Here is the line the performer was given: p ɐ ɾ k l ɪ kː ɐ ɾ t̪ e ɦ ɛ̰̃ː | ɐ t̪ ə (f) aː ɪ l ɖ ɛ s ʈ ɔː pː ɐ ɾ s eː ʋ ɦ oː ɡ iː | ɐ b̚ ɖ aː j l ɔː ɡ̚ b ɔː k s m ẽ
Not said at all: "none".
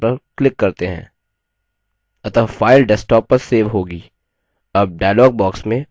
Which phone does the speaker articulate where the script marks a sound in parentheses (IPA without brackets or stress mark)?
f